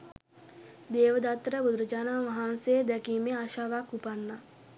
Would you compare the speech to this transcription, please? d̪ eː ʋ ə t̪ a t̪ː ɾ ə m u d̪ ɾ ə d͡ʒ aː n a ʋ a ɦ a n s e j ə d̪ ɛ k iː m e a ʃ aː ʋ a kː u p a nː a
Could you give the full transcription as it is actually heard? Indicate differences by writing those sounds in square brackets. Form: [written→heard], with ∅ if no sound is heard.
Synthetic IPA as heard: d̪ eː ʋ ə [t̪→d̪] a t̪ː ɾ ə [m→b] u d̪ ɾ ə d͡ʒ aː n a ʋ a ɦ a n s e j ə d̪ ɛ k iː m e a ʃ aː ʋ a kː u p a nː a